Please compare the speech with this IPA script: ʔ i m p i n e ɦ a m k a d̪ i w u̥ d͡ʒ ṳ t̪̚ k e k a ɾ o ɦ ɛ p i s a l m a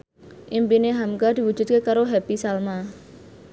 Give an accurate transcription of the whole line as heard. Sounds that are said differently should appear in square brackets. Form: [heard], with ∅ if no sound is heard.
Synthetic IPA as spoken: ʔ i m p i n e ɦ a m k a d̪ i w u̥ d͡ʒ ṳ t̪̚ k e k a ɾ o ɦ ɛ p i s a l m a